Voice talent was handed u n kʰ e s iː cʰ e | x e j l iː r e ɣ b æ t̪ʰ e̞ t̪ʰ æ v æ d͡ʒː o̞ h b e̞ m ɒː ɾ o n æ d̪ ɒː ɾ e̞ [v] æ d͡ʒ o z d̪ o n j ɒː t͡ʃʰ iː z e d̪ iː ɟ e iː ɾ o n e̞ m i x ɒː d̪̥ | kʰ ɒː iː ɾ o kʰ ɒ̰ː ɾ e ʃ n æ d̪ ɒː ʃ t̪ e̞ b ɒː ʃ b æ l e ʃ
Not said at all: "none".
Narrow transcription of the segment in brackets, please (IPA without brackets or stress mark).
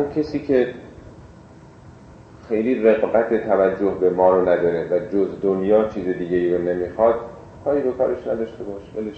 v